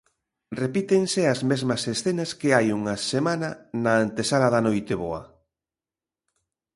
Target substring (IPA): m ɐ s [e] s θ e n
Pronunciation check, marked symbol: correct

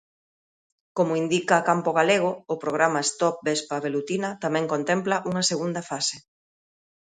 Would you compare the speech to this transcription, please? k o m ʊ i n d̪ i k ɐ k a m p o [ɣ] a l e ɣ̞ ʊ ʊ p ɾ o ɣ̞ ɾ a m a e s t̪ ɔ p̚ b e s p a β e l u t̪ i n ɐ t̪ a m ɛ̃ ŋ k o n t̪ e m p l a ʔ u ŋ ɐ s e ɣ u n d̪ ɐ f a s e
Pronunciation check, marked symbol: correct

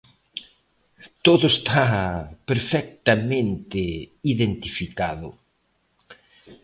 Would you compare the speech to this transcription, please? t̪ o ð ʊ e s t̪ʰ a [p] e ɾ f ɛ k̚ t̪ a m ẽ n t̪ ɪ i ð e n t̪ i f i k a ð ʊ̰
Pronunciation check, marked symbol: correct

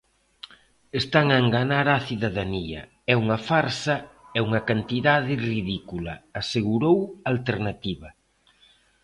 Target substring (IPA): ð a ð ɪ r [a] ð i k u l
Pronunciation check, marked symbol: incorrect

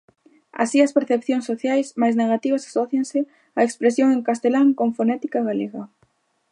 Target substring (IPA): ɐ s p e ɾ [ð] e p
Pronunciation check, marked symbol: incorrect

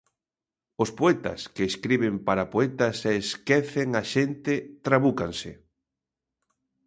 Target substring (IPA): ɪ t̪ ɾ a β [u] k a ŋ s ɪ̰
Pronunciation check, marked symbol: correct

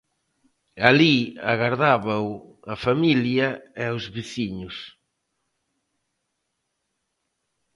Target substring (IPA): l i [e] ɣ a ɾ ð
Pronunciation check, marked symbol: incorrect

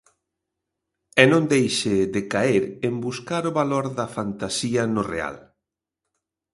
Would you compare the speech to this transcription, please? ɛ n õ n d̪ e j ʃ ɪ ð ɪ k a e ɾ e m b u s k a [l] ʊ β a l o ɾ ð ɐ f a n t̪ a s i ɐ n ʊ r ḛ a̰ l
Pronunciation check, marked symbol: incorrect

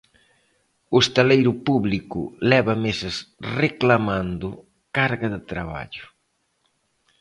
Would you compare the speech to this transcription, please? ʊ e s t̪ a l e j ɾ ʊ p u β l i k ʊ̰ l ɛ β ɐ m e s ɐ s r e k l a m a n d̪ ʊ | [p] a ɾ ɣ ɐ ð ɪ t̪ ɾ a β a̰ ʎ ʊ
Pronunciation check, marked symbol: incorrect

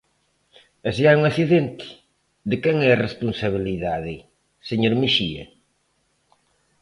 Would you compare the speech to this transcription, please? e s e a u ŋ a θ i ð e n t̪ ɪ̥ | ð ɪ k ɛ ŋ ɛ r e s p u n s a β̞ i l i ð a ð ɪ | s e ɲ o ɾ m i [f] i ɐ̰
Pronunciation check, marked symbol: incorrect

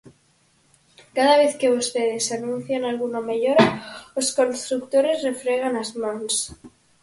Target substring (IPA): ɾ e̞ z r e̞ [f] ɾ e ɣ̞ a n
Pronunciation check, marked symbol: correct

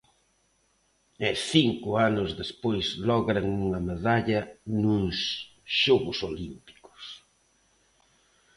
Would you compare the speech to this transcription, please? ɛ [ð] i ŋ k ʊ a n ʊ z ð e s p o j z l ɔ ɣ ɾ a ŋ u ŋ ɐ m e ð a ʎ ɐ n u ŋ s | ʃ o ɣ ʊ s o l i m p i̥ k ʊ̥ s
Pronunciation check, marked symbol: incorrect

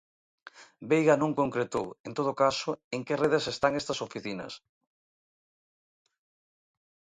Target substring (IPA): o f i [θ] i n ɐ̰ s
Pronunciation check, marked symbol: correct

